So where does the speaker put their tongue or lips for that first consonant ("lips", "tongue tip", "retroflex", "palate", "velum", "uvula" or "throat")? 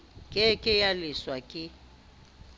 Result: velum